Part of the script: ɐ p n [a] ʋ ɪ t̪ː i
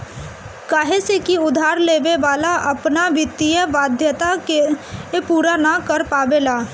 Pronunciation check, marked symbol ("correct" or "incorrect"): correct